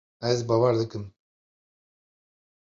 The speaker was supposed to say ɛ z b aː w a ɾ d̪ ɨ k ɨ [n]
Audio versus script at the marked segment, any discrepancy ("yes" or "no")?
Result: yes